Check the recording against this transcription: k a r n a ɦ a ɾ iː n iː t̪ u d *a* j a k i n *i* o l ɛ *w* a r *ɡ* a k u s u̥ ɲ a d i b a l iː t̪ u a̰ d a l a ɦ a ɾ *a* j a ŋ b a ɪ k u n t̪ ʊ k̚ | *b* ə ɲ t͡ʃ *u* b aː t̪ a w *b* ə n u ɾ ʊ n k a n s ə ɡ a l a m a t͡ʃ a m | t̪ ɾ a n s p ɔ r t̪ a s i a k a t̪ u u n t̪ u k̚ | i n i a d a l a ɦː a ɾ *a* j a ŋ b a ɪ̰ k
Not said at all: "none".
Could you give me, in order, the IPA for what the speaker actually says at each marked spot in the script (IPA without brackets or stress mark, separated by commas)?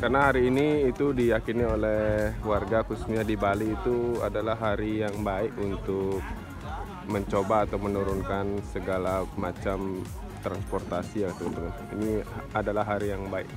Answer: i, i, w, ɡ, i, m, o, m, i